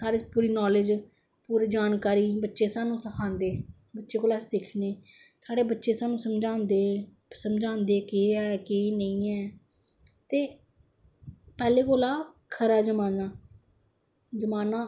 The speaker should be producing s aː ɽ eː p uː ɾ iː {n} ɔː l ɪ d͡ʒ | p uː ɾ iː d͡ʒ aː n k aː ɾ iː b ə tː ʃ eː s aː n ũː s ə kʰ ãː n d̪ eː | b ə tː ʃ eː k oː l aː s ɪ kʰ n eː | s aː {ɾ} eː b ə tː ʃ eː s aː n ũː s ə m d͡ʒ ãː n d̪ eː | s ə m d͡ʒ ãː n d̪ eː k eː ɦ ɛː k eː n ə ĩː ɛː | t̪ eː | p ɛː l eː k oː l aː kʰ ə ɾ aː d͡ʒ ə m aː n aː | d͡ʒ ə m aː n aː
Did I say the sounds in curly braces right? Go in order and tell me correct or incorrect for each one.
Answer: correct, incorrect: ɽ

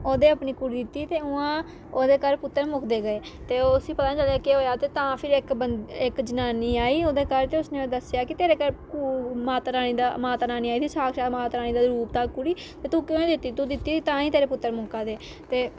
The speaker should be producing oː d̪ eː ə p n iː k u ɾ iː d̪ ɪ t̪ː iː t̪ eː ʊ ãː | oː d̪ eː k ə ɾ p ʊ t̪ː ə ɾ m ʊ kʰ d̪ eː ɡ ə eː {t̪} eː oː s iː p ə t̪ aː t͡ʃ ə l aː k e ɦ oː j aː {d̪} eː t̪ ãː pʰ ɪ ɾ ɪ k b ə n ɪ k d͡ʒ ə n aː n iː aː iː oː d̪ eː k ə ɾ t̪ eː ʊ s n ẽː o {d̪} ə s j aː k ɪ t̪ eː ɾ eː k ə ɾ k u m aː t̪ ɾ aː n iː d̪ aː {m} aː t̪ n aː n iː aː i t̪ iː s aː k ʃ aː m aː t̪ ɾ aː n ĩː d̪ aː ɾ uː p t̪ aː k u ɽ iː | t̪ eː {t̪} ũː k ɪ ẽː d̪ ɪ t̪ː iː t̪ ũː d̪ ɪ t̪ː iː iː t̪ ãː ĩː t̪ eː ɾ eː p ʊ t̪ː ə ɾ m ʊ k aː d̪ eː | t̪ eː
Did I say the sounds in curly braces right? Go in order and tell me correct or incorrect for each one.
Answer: correct, incorrect: t̪, correct, correct, correct

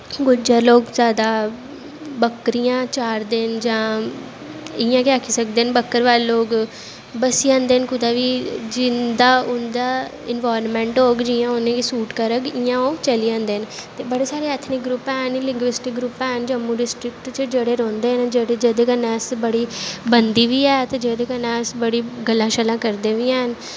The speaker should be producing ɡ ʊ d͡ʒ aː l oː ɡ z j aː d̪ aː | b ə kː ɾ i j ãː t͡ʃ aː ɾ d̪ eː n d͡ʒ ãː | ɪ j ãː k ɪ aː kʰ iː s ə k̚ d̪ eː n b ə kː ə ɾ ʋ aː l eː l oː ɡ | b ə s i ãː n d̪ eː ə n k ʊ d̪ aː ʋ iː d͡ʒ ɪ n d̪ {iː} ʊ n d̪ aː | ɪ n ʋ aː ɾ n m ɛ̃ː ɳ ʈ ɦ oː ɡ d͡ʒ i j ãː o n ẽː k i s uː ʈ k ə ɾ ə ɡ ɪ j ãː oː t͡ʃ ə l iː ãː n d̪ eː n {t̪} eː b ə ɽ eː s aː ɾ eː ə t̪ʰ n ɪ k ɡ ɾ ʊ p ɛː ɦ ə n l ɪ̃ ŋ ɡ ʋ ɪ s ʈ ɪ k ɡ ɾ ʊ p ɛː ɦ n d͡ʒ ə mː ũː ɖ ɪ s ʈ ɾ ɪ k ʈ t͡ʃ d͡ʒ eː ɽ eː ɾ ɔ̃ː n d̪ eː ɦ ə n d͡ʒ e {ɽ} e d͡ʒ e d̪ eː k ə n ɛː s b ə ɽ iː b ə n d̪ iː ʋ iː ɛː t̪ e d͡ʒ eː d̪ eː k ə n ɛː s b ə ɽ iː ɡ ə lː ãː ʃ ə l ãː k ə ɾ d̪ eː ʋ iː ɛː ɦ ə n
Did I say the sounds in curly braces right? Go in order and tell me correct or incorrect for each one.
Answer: incorrect: aː, correct, correct

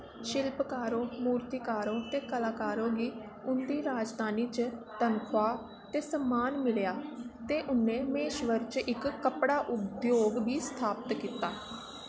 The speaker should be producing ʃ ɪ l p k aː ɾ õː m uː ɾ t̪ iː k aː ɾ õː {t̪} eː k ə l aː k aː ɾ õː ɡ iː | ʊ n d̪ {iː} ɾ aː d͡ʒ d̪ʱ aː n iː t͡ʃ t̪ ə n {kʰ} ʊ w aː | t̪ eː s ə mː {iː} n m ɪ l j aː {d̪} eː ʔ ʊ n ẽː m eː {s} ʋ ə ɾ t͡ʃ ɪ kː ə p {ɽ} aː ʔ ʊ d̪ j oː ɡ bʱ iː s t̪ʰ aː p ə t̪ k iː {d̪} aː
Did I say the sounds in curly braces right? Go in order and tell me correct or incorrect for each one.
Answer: correct, correct, correct, incorrect: aː, incorrect: t̪, incorrect: ʃ, correct, incorrect: t̪

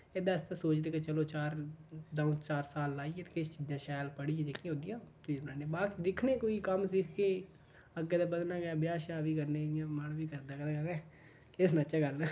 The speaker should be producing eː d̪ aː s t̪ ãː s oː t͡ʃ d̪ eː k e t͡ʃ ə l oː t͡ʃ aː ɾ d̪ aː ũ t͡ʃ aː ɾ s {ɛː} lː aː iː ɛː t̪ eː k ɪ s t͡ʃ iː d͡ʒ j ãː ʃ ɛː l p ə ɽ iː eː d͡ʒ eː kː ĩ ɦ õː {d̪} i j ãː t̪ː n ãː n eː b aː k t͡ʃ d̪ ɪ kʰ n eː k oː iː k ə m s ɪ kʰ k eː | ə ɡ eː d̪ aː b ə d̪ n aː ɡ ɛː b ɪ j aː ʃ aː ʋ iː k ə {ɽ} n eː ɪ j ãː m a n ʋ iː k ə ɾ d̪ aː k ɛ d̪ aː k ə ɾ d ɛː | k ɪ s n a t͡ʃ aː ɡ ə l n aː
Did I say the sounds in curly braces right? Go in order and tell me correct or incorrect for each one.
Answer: incorrect: aː, correct, incorrect: ɾ

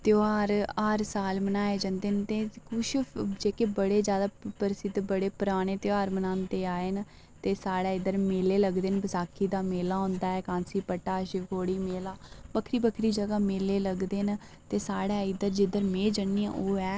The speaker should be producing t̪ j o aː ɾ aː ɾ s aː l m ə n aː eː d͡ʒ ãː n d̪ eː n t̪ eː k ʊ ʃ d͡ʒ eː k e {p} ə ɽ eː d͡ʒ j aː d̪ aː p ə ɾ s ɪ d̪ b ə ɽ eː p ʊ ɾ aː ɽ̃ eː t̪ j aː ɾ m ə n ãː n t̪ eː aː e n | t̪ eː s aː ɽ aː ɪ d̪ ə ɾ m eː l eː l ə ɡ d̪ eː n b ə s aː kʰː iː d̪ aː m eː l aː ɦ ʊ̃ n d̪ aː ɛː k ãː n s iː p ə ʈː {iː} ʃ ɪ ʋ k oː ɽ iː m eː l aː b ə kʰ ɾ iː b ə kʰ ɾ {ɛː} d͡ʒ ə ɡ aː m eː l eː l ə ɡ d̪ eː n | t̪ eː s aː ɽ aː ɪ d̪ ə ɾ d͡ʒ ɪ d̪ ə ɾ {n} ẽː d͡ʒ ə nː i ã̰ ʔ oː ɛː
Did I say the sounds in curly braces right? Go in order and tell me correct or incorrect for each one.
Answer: incorrect: b, incorrect: aː, incorrect: iː, incorrect: m

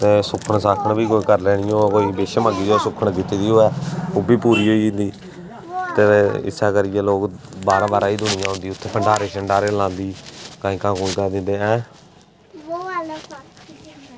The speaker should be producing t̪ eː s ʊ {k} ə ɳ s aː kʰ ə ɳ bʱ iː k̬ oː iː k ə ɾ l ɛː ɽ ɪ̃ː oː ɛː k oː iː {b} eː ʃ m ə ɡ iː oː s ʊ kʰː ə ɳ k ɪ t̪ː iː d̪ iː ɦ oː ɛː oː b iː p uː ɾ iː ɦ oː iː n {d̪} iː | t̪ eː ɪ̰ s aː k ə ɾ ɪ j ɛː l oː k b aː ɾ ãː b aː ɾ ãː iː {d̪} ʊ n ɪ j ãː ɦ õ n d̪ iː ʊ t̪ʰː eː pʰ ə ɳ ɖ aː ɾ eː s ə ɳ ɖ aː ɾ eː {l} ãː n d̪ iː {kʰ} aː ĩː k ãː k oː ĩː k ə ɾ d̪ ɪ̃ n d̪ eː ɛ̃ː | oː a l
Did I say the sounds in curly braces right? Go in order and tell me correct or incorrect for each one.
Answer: incorrect: kʰ, correct, correct, correct, correct, incorrect: k

